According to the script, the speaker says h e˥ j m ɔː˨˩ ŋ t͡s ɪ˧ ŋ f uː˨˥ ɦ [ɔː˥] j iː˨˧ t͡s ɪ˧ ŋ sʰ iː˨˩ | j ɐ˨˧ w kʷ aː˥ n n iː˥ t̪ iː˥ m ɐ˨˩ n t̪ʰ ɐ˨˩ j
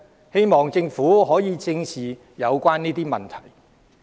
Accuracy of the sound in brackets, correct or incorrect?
incorrect